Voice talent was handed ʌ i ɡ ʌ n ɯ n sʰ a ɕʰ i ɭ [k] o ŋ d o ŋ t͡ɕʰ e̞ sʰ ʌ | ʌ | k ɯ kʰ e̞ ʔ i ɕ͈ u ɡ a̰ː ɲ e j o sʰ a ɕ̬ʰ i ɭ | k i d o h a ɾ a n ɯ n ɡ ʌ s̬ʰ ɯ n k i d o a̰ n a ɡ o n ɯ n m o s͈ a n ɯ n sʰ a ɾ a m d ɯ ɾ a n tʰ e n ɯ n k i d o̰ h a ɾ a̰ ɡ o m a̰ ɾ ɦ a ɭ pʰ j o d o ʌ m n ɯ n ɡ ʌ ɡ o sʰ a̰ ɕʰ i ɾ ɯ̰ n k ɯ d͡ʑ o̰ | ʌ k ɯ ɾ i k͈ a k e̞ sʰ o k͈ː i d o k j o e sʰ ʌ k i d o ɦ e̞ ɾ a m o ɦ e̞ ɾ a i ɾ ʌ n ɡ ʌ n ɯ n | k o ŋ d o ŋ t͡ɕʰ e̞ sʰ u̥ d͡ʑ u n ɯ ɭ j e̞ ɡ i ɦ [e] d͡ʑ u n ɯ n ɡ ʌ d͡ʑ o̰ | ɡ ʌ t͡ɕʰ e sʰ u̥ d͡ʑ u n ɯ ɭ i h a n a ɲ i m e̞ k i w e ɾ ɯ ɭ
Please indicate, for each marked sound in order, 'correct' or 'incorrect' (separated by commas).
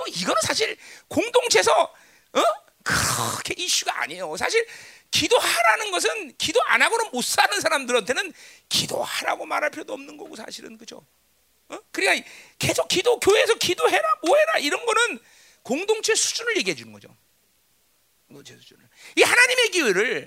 correct, correct